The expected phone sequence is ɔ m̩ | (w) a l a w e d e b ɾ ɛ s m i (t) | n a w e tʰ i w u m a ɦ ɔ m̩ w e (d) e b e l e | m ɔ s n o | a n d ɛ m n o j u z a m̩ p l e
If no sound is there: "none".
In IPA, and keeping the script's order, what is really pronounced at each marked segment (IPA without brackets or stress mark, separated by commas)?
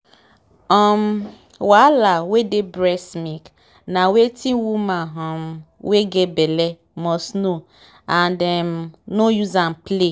w, k, ɡ